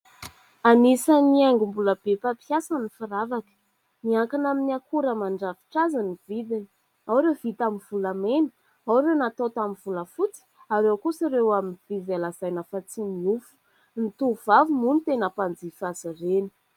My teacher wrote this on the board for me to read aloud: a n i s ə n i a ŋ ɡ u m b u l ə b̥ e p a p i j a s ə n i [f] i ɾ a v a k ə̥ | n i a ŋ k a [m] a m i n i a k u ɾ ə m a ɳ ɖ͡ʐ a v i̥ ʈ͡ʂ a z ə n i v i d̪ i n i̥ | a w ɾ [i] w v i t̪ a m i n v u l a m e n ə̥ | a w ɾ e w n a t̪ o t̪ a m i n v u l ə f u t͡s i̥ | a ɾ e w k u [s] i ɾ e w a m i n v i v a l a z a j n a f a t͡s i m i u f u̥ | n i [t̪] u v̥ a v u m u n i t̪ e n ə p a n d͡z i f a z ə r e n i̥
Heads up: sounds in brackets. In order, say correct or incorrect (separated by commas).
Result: correct, incorrect, incorrect, correct, correct